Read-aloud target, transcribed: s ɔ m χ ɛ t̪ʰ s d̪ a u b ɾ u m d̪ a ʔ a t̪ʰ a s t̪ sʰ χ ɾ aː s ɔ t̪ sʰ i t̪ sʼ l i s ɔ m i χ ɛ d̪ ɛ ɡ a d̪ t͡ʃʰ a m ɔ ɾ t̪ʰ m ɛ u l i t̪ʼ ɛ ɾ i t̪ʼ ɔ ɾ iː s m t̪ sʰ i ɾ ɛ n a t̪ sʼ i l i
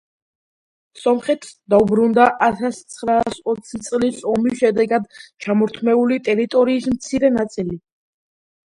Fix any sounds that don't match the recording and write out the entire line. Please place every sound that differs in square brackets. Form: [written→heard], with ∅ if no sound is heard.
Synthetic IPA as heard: s ɔ m χ ɛ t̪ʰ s d̪ a u b ɾ u [m→n] d̪ a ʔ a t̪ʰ a s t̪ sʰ χ ɾ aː s ɔ t̪ sʰ i t̪ sʼ l i s ɔ m i [χ→ʃ] ɛ d̪ ɛ ɡ a d̪ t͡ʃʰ a m ɔ ɾ t̪ʰ m ɛ u l i t̪ʼ ɛ ɾ i t̪ʼ ɔ ɾ iː s m t̪ sʰ i ɾ ɛ n a t̪ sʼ i l i